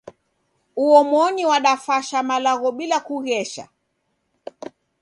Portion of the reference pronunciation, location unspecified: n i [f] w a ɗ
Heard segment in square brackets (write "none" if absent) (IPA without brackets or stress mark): none